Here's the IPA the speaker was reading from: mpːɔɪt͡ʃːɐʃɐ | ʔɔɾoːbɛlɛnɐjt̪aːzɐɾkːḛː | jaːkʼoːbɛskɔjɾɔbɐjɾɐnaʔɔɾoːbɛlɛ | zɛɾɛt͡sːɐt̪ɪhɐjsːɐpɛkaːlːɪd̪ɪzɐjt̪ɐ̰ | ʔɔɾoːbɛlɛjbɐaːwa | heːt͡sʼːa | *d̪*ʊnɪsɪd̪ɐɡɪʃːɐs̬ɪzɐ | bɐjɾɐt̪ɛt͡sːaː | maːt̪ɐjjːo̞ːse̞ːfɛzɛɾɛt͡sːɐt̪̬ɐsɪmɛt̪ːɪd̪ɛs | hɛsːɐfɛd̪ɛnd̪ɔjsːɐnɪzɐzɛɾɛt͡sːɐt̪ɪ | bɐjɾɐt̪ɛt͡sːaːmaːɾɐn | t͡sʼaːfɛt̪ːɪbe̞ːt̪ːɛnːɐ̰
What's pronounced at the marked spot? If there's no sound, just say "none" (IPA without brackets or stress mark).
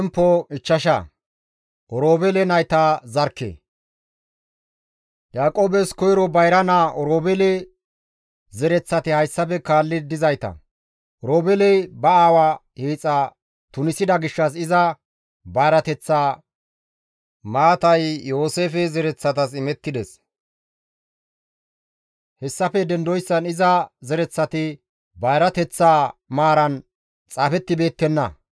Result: t̪